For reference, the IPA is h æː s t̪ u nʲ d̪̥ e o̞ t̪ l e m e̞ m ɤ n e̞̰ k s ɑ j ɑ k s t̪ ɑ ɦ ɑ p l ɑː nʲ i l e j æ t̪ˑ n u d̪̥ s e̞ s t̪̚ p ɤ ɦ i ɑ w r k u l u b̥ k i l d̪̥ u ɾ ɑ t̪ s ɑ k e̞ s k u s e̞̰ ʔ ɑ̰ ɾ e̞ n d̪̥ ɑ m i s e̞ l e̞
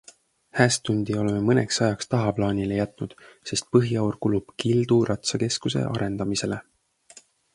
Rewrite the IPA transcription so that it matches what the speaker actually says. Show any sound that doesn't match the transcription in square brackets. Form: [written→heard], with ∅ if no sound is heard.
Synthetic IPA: h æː s t̪ u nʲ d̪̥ [e→i] o̞ [t̪→∅] l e m e̞ m ɤ n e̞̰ k s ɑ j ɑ k s t̪ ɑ ɦ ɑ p l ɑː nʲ i l e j æ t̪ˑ n u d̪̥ s e̞ s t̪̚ p ɤ ɦ i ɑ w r k u l u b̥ k i l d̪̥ u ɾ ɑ t̪ s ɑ k e̞ s k u s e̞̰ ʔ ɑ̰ ɾ e̞ n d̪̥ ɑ m i s e̞ l e̞